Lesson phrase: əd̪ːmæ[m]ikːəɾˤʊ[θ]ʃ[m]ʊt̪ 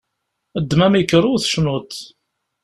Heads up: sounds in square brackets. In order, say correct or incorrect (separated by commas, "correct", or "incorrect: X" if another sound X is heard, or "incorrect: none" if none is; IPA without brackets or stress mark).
correct, correct, incorrect: n